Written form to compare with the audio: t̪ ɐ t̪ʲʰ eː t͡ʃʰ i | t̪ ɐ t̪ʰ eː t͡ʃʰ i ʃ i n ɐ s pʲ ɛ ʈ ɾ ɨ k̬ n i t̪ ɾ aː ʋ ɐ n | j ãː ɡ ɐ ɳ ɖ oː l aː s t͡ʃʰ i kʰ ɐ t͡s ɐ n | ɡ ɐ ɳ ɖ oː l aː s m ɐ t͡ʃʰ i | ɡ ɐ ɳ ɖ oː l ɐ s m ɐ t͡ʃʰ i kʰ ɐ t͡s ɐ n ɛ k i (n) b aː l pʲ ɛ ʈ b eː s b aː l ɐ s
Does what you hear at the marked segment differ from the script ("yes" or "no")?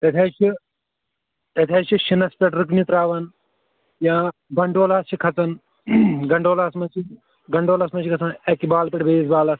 yes